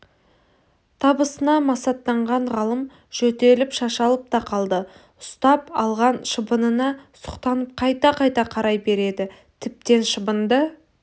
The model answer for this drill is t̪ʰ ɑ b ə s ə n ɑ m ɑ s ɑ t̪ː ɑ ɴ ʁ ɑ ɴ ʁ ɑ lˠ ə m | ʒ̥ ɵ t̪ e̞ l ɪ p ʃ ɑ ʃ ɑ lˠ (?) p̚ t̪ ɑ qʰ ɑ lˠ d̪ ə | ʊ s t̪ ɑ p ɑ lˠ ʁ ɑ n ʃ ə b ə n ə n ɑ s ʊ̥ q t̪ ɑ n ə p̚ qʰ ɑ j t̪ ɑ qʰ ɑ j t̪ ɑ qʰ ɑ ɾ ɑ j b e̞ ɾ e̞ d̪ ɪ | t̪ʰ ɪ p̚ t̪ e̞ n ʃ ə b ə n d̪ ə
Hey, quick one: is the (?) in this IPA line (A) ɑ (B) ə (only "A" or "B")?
B